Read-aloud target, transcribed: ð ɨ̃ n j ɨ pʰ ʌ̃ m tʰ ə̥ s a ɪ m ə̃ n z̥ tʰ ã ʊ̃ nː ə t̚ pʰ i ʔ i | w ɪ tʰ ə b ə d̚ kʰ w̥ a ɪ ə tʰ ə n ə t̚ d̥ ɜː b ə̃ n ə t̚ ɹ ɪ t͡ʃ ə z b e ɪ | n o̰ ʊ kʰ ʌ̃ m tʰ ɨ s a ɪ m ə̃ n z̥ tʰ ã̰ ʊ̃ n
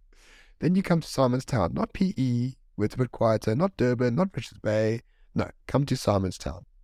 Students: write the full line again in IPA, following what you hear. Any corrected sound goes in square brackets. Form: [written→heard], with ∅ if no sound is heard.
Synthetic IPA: ð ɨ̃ n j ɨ [pʰ→kʰ] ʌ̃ m tʰ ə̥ s a ɪ m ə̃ n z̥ tʰ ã ʊ̃ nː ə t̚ pʰ i ʔ i | w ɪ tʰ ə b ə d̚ kʰ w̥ a ɪ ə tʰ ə n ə t̚ d̥ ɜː b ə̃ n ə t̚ ɹ ɪ t͡ʃ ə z b e ɪ | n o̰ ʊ kʰ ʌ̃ m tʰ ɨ s a ɪ m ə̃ n z̥ tʰ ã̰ ʊ̃ n